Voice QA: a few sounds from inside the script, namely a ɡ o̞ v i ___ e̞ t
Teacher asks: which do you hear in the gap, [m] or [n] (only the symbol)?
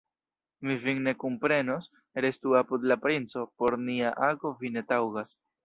n